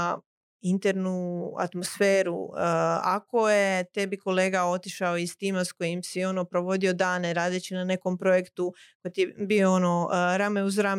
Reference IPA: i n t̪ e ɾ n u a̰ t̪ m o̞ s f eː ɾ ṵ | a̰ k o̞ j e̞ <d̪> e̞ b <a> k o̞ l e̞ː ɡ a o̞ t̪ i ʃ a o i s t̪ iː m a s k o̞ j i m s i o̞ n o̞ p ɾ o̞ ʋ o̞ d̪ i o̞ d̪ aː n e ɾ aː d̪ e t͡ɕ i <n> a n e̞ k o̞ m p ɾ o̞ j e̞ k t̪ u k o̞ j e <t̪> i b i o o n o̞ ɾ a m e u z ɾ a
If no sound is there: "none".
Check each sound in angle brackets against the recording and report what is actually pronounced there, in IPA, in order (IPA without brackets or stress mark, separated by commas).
t̪, i, n, t̪